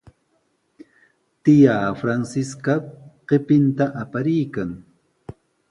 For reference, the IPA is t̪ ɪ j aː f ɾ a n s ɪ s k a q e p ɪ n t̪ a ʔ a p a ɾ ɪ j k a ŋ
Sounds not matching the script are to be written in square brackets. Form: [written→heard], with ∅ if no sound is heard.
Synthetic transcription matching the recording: t̪ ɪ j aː f ɾ a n s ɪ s k a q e p ɪ n t̪ a ʔ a p a ɾ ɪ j k a ŋ